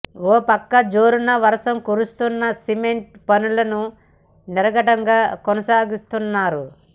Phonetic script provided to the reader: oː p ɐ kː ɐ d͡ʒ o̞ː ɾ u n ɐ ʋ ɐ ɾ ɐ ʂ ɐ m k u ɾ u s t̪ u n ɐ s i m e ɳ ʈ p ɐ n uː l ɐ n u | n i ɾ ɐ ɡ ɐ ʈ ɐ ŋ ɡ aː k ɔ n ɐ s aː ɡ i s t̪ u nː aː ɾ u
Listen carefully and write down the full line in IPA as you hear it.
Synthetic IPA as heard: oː p ɐ kː ɐ d͡ʒ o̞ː ɾ u n ɐ ʋ ɐ ɾ ɐ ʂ ɐ m k u ɾ u s t̪ u nː ɐ s i m e ɳ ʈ p ɐ n u l ɐ n u | n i ɾ ɐ ɡ ɐ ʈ ɐ ŋ ɡ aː k ɔ n ɐ s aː ɡ i s t̪ u nː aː ɾ u